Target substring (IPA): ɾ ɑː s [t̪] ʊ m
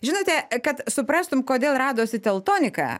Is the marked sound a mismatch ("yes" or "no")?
no